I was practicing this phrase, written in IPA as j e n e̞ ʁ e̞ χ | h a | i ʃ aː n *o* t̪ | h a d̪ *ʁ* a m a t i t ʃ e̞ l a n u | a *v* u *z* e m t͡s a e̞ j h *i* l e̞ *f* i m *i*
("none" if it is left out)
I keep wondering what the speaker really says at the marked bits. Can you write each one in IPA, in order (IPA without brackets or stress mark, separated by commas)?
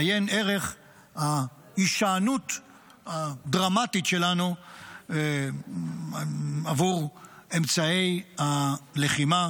u, ʁ, v, ʁ, a, χ, a